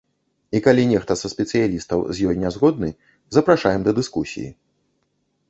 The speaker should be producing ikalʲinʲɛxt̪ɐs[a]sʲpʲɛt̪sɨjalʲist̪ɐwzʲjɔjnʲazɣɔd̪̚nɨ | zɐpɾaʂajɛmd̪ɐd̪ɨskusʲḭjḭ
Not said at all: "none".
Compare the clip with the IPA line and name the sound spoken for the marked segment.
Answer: ɐ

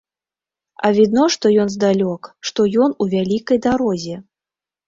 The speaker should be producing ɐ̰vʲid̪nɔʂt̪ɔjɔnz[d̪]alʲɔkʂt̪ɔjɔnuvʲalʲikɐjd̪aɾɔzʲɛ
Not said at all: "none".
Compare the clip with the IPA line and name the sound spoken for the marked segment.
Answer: d̪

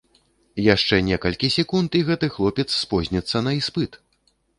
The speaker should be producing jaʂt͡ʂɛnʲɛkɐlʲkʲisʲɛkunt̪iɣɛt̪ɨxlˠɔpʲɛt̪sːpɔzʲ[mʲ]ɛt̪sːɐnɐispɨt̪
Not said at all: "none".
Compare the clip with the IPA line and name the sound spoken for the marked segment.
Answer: nʲ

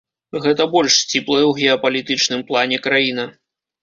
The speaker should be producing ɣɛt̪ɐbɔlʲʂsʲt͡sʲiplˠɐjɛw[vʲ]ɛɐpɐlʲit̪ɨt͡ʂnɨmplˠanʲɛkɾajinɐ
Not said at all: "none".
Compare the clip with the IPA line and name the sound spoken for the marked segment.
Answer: ɣʲ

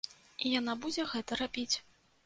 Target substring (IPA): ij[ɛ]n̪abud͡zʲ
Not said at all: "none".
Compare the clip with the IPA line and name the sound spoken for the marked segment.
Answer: a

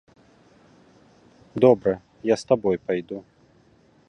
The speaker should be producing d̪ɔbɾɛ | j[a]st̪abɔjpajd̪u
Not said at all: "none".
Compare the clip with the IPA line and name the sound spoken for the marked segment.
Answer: a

